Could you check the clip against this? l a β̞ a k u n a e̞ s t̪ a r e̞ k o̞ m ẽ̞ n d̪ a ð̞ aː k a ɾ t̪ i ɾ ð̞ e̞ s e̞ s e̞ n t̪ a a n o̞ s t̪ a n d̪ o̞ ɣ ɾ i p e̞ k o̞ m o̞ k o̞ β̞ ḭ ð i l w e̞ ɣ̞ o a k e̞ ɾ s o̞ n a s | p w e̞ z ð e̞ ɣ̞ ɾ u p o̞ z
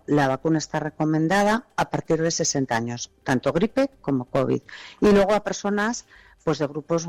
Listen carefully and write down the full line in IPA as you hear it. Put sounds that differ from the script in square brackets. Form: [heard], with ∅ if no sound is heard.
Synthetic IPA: l a β̞ a k u n a e̞ s t̪ a r e̞ k o̞ m ẽ̞ n d̪ a ð̞ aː [p] a ɾ t̪ i ɾ ð̞ e̞ s e̞ s e̞ n t̪ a a [ɲ] o̞ s t̪ a n [t̪] o̞ ɣ ɾ i p e̞ k o̞ m o̞ k o̞ β̞ ḭ ð i l w e̞ ɣ̞ o a [p] e̞ ɾ s o̞ n a s | p w e̞ z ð e̞ ɣ̞ ɾ u p o̞ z